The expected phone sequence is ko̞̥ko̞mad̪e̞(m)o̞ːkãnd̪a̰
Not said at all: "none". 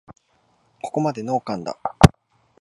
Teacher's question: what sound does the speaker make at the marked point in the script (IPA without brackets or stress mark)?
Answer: n